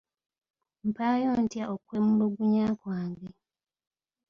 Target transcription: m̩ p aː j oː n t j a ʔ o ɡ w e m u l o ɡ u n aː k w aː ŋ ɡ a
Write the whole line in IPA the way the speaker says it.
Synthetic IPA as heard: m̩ p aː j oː n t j a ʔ o k w e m u l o ɡ u ɲ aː k w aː ŋ ɡ e